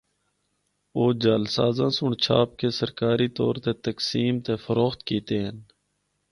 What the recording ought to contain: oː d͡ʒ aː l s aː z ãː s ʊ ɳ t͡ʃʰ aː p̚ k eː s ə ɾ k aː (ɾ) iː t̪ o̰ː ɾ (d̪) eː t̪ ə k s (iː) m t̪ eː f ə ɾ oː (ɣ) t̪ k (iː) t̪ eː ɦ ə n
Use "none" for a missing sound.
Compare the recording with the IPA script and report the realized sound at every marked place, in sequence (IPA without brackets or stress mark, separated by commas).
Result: ɾ, t̪, iː, x, iː